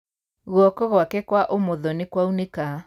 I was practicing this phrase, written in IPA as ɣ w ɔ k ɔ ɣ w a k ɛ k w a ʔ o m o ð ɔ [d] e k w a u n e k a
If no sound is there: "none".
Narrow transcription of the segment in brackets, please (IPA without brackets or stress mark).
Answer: n